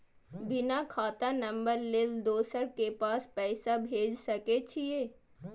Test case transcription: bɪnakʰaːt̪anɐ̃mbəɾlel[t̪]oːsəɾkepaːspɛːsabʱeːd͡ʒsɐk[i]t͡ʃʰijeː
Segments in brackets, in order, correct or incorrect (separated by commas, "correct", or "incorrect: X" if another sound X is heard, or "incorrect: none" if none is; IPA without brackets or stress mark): incorrect: d̪, incorrect: e